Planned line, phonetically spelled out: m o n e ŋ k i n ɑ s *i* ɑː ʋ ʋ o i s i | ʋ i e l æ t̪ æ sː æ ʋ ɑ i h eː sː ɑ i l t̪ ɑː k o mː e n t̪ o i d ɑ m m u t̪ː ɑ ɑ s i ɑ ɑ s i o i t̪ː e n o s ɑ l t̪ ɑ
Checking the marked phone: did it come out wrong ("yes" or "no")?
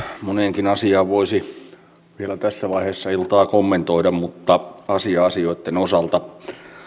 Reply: no